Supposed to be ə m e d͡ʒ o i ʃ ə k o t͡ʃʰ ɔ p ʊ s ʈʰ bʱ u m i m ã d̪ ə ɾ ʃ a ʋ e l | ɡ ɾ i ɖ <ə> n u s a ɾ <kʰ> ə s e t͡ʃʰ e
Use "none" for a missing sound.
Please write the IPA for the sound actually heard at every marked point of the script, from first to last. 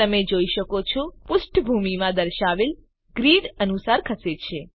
ə, kʰ

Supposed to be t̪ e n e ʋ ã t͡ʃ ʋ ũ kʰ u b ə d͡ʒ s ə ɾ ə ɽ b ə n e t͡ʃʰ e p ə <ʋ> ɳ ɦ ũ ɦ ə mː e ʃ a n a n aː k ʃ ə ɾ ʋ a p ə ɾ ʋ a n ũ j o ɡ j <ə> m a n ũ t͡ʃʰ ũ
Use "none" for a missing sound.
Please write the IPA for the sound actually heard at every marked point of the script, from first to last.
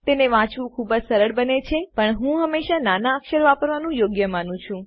none, ə

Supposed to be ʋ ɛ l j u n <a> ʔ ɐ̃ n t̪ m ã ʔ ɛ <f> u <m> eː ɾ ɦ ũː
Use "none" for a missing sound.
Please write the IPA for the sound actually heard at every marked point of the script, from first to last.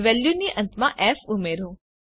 i, f, m

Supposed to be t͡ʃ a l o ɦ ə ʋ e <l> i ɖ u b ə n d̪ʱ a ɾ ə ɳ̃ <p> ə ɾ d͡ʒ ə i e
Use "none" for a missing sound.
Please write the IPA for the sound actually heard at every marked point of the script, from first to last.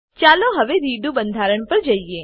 ɾ, p

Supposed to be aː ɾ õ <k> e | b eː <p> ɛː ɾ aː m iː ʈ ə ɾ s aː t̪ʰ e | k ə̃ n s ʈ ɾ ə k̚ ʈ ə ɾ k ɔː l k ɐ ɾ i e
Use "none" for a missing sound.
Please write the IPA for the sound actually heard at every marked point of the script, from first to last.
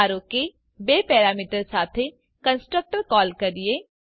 k, p

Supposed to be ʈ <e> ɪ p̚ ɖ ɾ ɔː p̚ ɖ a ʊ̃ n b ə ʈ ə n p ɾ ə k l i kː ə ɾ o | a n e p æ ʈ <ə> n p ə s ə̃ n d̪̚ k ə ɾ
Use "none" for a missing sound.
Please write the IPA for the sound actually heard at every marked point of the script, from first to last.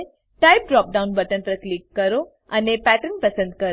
a, ə

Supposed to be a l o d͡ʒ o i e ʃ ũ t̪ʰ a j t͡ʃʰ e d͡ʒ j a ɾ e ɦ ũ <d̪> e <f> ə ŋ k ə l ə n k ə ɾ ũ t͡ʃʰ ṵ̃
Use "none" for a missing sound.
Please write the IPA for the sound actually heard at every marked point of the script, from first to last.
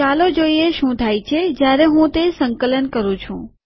t̪, s

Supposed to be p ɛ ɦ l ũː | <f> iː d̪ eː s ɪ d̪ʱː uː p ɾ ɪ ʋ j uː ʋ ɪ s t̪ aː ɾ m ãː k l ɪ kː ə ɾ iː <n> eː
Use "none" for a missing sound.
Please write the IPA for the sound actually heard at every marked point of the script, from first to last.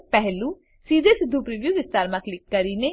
s, n

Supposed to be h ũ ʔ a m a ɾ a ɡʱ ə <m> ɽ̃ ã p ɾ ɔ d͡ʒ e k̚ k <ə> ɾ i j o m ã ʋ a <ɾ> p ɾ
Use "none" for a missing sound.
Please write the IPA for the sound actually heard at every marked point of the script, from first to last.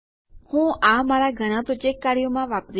none, a, none

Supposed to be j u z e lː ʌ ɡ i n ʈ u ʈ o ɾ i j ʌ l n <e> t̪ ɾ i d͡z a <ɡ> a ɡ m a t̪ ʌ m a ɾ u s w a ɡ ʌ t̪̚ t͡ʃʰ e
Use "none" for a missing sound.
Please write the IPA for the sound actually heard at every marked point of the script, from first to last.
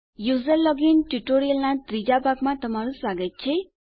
a, b

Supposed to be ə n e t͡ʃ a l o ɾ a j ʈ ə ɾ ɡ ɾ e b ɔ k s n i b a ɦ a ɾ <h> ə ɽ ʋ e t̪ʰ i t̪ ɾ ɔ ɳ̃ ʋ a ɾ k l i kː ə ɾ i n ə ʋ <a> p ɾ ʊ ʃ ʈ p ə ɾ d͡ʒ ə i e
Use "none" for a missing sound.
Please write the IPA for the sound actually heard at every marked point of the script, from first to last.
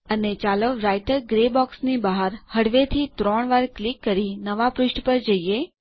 h, a

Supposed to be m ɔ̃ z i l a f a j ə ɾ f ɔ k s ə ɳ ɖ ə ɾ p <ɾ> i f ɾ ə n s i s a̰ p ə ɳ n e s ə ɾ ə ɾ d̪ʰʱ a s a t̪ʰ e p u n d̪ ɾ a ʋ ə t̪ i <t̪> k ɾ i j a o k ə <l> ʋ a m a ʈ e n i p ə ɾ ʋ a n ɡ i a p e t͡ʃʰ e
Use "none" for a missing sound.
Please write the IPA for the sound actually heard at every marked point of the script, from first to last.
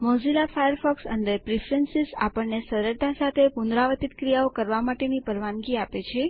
ɾ, t̪, ɾ

